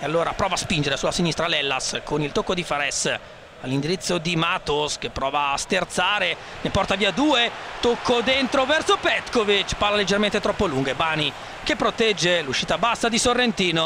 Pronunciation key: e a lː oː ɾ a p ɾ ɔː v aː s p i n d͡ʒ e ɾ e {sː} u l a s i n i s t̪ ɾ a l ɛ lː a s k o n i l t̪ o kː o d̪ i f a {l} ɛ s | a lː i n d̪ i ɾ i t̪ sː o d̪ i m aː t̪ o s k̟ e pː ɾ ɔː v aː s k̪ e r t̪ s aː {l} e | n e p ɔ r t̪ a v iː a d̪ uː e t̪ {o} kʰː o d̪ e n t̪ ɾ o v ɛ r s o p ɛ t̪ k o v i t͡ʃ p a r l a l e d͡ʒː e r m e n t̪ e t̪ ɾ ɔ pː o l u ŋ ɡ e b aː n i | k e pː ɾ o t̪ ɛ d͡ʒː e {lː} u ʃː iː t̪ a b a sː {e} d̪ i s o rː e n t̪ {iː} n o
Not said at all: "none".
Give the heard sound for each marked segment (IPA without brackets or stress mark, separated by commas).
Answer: s, ɾ, ɾ, o, l, a, iː